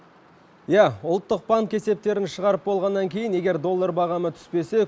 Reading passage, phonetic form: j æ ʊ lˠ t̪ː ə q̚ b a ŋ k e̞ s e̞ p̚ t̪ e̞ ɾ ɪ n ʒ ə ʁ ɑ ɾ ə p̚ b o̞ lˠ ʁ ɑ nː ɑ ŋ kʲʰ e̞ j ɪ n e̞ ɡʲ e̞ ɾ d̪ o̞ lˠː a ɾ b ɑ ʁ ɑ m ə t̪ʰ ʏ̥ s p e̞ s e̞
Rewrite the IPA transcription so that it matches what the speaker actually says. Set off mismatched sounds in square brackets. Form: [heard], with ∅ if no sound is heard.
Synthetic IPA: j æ ʊ lˠ t̪ː ə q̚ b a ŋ k e̞ s e̞ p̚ t̪ e̞ ɾ ɪ n [ʃ] ə ʁ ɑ ɾ ə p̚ b o̞ lˠ ʁ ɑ nː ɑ ŋ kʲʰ e̞ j ɪ n e̞ ɡʲ e̞ ɾ d̪ o̞ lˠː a ɾ b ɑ ʁ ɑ m ə t̪ʰ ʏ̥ s p e̞ s e̞